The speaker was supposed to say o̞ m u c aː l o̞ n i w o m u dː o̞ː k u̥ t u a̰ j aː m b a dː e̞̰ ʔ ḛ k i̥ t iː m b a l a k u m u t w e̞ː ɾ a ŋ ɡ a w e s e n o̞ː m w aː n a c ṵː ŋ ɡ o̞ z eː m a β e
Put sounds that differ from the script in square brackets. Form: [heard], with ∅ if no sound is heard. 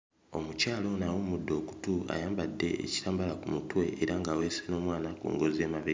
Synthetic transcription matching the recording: o̞ m u c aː l o̞ n [a] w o m u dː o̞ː k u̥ t u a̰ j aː m b a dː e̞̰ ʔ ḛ [c] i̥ t [aː] m b a l a k u m u t w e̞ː ɾ a ŋ ɡ a w e s e n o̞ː m w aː n a [k] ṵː ŋ ɡ o̞ z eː m a β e